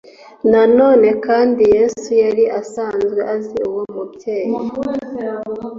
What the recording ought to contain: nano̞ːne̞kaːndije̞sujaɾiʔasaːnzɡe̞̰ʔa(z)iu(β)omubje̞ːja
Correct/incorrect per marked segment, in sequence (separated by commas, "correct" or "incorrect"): correct, incorrect